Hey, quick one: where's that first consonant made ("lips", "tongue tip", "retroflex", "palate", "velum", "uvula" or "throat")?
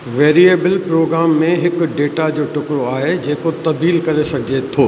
lips